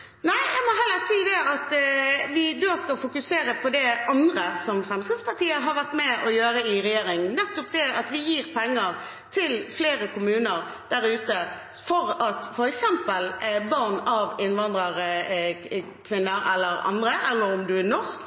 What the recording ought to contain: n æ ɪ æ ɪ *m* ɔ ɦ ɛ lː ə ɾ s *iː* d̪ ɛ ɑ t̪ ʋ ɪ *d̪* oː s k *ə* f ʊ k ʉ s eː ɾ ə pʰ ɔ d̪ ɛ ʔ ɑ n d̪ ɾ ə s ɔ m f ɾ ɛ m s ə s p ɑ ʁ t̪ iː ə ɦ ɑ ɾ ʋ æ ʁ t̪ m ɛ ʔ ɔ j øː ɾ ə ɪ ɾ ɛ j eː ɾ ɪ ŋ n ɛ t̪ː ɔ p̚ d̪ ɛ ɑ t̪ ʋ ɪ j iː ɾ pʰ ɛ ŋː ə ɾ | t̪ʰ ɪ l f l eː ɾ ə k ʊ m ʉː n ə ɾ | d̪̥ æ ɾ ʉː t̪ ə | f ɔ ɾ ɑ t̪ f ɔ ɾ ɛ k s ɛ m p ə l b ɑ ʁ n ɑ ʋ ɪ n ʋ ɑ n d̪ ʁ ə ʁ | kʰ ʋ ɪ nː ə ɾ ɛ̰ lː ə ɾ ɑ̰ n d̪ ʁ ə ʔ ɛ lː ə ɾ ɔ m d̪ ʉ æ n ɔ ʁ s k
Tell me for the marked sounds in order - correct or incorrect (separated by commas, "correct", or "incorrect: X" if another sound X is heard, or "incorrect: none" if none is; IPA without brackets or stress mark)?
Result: correct, correct, correct, incorrect: ɑ